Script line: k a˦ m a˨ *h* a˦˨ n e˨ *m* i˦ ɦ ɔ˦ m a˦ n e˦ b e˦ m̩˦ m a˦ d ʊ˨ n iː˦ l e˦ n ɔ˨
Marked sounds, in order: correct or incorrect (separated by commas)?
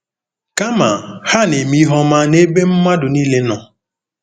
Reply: correct, correct